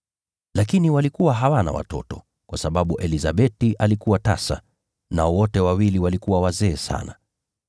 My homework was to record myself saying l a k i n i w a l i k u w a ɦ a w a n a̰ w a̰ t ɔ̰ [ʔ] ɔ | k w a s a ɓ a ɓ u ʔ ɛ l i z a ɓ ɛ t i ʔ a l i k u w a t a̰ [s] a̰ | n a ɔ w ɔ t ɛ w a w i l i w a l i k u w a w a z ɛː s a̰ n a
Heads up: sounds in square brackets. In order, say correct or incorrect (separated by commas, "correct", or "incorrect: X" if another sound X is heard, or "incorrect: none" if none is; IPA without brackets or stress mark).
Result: incorrect: t, correct